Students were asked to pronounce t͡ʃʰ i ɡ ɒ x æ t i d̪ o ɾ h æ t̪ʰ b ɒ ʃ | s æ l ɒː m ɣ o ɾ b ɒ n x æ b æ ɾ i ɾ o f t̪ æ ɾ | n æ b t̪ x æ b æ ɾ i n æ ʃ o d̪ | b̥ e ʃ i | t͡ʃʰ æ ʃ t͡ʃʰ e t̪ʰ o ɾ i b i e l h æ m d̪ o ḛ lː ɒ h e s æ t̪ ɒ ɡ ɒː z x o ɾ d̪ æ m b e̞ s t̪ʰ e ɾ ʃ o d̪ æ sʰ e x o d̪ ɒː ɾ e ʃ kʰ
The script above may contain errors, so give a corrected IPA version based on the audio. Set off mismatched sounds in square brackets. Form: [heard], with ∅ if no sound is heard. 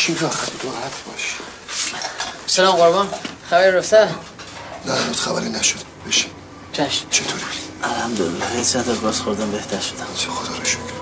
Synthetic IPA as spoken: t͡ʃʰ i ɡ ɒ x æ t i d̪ o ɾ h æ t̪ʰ b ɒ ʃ | s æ l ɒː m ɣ o ɾ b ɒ n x æ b æ ɾ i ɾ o f t̪ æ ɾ | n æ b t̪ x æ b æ ɾ i n æ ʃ o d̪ | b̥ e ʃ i | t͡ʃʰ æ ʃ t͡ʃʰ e t̪ʰ o ɾ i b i [æ] l h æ m d̪ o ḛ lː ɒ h e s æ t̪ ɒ ɡ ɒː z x o ɾ d̪ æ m b e̞ [h] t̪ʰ [æ] ɾ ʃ o d̪ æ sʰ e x o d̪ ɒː ɾ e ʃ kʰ